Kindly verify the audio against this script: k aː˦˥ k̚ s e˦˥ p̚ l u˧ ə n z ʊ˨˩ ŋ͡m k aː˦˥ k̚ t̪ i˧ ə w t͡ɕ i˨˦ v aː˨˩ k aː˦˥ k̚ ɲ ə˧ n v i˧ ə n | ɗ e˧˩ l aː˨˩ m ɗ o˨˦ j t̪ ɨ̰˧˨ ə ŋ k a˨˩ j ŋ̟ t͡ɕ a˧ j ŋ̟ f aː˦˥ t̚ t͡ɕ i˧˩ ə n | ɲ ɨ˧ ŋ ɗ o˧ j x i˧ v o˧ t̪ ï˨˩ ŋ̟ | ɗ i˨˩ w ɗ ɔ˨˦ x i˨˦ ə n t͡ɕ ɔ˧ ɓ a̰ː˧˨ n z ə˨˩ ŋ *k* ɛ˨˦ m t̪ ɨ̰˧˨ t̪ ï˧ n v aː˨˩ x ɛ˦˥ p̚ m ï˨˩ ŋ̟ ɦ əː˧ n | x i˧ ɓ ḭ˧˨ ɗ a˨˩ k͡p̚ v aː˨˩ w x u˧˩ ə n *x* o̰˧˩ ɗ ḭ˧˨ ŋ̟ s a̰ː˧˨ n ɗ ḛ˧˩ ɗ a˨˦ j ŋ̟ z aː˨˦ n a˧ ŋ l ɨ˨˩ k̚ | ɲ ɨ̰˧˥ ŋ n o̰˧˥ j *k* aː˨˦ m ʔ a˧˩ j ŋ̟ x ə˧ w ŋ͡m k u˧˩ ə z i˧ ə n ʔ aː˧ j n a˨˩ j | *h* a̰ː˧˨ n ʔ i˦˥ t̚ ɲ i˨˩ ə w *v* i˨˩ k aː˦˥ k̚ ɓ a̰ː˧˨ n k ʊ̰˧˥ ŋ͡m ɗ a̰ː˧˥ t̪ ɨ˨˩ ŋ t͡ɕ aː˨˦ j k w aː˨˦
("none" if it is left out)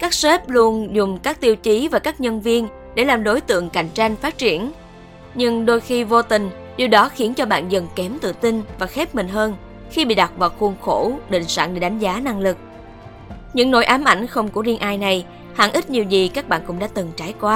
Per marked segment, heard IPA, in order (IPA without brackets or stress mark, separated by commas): k, x, ʔ, h, z